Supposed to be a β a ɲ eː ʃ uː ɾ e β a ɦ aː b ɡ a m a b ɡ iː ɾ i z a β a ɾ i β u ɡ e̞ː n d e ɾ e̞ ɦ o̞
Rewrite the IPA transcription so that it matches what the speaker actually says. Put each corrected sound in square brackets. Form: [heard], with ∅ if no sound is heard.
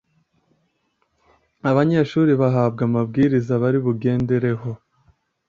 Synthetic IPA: a β a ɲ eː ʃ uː ɾ [i] β a ɦ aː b ɡ a m a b ɡ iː ɾ i z a β a ɾ i β u ɡ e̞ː n d e ɾ e̞ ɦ o̞